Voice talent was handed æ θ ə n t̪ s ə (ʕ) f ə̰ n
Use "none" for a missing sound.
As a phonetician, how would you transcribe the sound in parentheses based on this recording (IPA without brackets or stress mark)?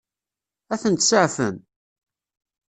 ʕ